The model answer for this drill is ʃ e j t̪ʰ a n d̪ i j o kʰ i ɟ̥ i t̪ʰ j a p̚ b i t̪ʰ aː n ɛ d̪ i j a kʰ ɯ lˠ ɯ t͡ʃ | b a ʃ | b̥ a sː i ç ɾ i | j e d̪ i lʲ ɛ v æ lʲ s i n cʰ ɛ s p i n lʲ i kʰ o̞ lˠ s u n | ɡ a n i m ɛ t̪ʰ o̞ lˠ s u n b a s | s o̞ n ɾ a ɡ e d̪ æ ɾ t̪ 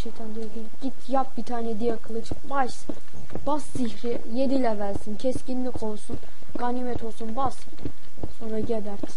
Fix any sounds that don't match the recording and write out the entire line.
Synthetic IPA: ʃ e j t̪ʰ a n d̪ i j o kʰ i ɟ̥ i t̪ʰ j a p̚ b i t̪ʰ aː n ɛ d̪ i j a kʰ ɯ lˠ ɯ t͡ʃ | b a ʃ | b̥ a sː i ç ɾ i | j e d̪ i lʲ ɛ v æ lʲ s i n cʰ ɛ s c i n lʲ i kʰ o̞ lˠ s u n | ɡ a n i m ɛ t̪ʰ o̞ lˠ s u n b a s | s o̞ n ɾ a ɟ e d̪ æ ɾ t̪